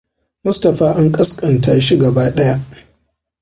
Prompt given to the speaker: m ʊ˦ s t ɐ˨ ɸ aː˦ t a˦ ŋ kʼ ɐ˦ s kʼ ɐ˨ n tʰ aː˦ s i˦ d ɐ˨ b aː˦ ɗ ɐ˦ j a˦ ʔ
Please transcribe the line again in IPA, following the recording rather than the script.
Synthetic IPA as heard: m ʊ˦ s t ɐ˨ ɸ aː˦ ʔ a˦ ŋ kʼ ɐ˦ s kʼ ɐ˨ n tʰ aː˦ ʃ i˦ ɡ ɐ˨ b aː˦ ɗ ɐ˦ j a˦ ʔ